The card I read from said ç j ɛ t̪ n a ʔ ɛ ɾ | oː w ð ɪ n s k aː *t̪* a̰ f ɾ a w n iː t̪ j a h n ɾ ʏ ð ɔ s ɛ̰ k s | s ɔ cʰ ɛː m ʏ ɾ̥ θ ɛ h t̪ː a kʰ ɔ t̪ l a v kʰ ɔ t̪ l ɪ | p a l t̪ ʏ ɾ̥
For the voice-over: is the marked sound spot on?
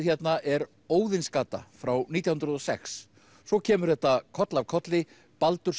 yes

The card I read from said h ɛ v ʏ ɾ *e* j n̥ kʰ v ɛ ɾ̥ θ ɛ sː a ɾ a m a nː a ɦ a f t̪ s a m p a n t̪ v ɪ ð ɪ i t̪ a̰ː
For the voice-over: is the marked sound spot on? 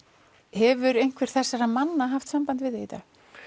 yes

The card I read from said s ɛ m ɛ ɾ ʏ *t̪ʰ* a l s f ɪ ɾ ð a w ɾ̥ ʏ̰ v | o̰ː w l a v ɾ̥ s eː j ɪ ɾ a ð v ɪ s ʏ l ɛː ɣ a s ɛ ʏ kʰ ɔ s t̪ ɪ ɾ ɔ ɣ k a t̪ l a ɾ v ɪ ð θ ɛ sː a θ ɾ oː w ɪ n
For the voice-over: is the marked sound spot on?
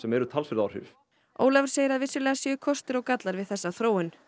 yes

